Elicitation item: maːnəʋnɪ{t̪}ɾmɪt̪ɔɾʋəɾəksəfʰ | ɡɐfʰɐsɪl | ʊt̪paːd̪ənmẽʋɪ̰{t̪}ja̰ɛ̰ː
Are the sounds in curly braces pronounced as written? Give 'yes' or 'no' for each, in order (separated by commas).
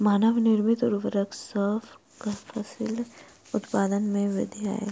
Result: no, no